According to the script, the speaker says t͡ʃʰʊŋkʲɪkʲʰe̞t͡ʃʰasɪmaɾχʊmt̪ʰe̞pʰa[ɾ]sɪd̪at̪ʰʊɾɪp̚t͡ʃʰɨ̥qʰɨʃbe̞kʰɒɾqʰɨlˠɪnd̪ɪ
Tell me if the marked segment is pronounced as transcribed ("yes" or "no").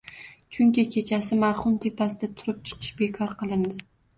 no